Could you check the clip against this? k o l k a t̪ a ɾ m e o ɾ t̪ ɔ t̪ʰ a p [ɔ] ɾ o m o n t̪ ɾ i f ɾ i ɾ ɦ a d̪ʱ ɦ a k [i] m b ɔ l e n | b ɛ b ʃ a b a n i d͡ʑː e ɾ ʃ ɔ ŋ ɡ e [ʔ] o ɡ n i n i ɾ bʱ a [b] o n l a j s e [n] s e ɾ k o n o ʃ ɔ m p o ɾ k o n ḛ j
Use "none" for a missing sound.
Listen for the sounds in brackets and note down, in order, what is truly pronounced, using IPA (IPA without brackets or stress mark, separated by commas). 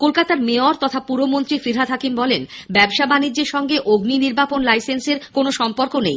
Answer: u, i, ʔ, p, n